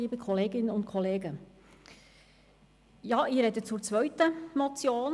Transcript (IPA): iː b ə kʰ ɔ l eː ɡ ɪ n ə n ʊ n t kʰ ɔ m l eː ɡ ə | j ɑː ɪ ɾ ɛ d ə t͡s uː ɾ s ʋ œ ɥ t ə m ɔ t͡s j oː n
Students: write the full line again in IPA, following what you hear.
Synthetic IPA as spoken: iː b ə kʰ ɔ l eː ɡ ɪ n ə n ʊ n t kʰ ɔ l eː ɡ ə | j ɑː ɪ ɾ ɛ d ə t͡s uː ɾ t͡s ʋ œ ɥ t ə m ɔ t͡s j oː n